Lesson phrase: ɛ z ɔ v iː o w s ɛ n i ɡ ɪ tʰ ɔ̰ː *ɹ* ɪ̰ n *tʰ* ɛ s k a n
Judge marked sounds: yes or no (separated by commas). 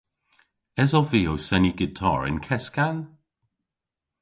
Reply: yes, no